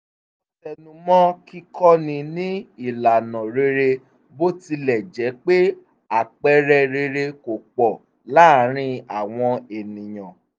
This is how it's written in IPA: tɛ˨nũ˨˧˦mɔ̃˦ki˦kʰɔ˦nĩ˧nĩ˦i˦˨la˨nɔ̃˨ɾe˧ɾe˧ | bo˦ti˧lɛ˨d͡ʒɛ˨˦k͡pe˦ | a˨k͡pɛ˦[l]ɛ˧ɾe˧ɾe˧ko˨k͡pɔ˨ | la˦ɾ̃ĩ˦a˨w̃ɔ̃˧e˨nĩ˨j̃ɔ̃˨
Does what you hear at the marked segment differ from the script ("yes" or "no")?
yes